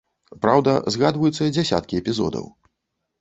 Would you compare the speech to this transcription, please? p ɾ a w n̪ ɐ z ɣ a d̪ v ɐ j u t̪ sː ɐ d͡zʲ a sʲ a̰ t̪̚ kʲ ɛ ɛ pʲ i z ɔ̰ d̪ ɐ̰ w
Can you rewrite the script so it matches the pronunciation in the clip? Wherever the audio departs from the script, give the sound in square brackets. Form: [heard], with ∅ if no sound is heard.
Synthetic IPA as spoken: p ɾ a w [d̪] ɐ z ɣ a d̪ v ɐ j u t̪ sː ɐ d͡zʲ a sʲ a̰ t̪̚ kʲ [i] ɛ pʲ i z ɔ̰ d̪ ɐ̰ w